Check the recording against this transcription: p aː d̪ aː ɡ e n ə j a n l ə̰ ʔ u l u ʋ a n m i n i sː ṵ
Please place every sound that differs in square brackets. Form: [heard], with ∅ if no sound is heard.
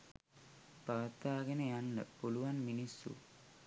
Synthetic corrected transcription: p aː [t̪] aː ɡ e n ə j a n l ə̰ [p] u l u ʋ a n m i n i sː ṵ